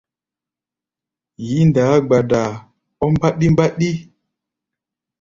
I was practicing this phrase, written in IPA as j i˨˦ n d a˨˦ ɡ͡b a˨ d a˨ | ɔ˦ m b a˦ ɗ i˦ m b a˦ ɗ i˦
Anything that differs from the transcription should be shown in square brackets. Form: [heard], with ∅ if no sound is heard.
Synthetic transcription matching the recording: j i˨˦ n d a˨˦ ɡ͡b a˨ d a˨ | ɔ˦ m b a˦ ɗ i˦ m b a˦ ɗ i˦